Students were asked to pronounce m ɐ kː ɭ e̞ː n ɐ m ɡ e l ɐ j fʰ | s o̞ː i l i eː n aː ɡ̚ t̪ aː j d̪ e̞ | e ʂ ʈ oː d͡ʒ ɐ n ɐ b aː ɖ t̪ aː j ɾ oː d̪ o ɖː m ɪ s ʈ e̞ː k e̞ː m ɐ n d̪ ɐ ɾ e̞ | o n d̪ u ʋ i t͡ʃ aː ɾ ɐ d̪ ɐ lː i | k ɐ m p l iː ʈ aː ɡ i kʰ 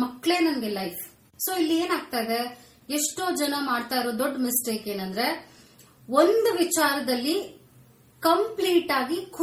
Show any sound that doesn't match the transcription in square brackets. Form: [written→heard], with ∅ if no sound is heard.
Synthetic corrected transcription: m ɐ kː ɭ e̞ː n ɐ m ɡ e l ɐ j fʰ | s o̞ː i [l→lː] i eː n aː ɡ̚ t̪ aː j d̪ e̞ | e ʂ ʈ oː d͡ʒ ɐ n ɐ [b→m] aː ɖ t̪ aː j ɾ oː d̪ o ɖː m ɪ s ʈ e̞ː k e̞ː [m→n] ɐ n d̪ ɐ ɾ e̞ | o n d̪ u ʋ i t͡ʃ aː ɾ ɐ d̪ ɐ lː i | k ɐ m p l iː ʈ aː ɡ i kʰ